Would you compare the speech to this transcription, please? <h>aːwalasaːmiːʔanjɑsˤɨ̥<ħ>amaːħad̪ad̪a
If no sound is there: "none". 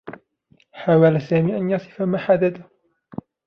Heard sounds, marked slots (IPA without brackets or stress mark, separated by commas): ħ, f